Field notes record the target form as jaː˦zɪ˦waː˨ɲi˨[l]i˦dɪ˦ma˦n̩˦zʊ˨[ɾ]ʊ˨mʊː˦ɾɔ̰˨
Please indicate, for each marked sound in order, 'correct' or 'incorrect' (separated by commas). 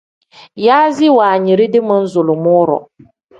incorrect, incorrect